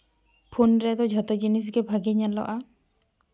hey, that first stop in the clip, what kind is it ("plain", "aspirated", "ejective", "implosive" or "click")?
aspirated